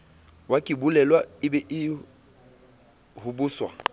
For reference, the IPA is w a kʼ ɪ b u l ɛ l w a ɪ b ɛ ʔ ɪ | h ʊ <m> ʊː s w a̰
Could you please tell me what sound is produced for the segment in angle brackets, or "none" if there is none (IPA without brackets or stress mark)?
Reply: b